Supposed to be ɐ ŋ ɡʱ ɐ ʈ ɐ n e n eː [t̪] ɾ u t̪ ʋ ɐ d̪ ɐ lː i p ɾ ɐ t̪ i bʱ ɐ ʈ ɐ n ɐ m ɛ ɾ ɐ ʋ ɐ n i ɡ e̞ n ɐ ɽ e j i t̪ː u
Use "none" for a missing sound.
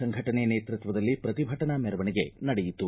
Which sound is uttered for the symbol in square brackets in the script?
t̪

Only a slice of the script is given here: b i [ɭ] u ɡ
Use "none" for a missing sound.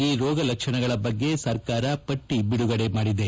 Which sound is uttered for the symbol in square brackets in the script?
ɽ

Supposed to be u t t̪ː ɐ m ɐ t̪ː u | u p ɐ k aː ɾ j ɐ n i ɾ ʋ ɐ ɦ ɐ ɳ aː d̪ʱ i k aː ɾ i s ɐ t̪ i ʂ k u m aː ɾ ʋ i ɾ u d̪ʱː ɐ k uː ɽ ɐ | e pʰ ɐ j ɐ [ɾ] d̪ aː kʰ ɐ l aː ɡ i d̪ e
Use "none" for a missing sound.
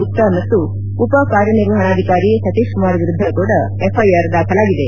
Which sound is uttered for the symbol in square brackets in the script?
ɾ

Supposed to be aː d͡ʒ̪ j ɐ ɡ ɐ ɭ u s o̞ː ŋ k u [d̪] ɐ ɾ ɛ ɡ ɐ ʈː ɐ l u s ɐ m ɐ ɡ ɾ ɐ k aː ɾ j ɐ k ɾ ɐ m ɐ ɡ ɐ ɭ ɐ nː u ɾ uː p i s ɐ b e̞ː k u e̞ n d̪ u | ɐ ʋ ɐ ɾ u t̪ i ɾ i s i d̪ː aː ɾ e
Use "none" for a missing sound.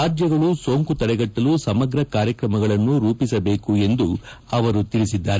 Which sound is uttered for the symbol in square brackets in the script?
t̪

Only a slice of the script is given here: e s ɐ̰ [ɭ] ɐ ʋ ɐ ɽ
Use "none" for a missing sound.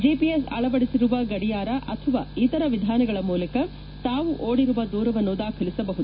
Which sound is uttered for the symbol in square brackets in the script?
ɭ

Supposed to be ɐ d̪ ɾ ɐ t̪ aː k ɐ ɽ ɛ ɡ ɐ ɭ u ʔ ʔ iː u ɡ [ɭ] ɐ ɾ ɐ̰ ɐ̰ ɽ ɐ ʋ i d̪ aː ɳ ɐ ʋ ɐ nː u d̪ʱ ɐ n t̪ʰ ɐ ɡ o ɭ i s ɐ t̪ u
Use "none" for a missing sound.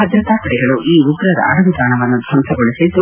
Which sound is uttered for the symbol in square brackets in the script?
ɾ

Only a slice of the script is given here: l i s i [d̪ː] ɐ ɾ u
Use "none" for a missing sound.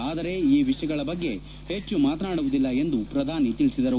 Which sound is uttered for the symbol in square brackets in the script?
d̪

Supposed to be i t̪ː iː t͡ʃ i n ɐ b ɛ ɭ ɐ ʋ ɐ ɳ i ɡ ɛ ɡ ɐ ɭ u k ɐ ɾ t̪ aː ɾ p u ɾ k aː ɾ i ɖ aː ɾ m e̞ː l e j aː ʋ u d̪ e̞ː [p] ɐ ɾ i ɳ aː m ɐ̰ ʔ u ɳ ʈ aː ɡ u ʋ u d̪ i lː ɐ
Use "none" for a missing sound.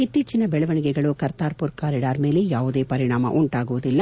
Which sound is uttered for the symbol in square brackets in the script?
p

